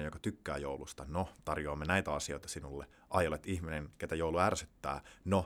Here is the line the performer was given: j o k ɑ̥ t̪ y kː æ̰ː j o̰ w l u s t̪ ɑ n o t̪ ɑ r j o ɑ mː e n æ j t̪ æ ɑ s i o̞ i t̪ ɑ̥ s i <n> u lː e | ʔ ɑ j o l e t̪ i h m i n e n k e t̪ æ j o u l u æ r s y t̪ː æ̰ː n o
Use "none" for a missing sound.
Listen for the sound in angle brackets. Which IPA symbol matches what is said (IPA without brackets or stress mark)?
n